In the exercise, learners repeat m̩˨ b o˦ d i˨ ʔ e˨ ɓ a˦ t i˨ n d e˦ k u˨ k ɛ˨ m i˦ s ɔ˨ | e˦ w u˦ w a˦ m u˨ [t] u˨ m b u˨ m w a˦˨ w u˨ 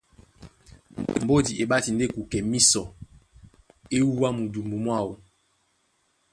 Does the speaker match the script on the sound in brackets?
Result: no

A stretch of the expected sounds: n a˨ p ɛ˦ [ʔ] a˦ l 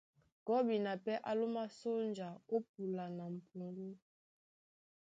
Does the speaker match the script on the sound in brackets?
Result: yes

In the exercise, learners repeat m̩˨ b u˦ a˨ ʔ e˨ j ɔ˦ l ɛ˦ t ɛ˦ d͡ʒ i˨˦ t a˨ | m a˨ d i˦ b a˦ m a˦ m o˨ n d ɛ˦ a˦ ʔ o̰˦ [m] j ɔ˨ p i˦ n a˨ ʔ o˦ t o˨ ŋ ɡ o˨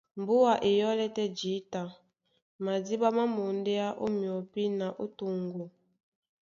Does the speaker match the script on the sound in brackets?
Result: yes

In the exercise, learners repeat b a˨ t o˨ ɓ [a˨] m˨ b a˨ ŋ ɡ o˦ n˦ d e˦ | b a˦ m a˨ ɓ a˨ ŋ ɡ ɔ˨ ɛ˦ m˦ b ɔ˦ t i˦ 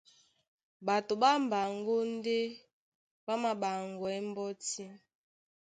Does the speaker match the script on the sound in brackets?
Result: no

